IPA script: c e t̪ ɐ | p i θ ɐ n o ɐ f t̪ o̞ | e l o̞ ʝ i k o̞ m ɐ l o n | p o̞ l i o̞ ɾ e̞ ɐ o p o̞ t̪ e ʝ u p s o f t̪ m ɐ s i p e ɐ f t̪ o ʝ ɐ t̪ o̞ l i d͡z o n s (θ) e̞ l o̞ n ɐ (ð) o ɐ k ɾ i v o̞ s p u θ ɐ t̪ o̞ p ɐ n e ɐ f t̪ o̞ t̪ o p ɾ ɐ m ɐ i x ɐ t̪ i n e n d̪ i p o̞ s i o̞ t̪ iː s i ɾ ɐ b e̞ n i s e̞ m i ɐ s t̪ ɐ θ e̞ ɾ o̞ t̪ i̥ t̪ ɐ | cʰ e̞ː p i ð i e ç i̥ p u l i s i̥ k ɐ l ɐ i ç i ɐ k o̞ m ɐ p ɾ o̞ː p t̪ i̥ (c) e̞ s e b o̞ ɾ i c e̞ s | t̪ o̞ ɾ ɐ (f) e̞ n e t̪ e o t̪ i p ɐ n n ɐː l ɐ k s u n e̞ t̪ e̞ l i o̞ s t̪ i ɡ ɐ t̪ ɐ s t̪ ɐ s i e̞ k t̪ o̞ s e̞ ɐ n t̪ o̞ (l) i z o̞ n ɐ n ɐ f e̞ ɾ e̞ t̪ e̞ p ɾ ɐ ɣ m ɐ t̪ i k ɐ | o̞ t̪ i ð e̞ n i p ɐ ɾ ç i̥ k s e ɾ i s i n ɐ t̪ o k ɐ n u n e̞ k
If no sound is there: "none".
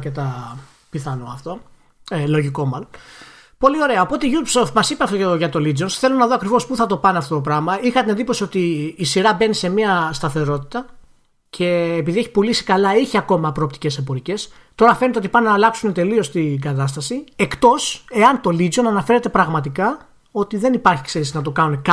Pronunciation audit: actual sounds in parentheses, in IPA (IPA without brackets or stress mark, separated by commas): θ, ð, c, f, l